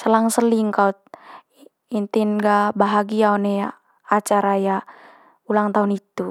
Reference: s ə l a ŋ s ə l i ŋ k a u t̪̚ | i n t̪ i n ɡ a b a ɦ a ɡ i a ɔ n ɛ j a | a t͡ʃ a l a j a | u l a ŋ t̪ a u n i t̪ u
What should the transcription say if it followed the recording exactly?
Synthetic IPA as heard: s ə l a ŋ s ə l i ŋ k a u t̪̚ | i n t̪ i n ɡ a b a ɦ a ɡ i a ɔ n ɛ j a | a t͡ʃ a ɾ a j a | u l a ŋ t̪ a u n i t̪ u

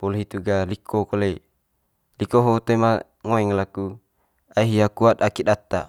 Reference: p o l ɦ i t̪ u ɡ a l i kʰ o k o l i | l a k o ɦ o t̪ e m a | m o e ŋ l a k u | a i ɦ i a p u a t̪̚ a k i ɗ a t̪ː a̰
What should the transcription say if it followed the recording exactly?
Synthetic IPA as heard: p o l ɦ i t̪ u ɡ a l i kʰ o k o l e | l i k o ɦ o t̪ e m a | ŋ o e ŋ l a k u | a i ɦ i a k u a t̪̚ a k i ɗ a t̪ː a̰

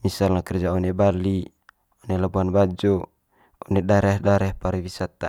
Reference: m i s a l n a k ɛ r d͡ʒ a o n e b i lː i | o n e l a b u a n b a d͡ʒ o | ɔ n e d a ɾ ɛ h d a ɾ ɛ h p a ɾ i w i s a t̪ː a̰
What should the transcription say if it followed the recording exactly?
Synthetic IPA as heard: m i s a l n a k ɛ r d͡ʒ a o n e b a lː i | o n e l a b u a n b a d͡ʒ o | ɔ n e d a ɾ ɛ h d a ɾ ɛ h p a ɾ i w i s a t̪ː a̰

